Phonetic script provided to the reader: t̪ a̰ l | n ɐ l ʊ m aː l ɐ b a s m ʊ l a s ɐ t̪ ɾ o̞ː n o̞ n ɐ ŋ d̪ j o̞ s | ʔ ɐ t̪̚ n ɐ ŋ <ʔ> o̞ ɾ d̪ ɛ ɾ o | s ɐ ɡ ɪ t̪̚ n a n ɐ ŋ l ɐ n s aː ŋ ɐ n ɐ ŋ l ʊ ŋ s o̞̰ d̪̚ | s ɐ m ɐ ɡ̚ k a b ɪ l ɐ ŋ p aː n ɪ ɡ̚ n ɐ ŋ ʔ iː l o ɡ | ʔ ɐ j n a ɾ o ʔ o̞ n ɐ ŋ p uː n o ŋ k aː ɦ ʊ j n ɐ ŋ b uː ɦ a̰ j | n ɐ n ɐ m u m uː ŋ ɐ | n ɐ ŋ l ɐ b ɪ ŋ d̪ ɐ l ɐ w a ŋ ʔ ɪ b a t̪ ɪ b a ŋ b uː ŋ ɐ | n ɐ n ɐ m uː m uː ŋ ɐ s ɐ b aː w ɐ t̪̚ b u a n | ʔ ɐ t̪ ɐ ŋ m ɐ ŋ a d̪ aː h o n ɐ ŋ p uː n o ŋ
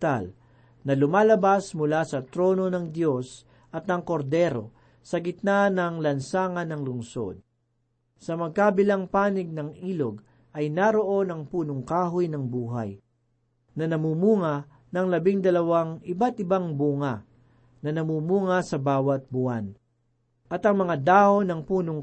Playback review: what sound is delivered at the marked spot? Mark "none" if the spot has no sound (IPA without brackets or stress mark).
k